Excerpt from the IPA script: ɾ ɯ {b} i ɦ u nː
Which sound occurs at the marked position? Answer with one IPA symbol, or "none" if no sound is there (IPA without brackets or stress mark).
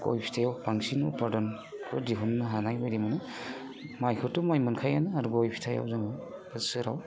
d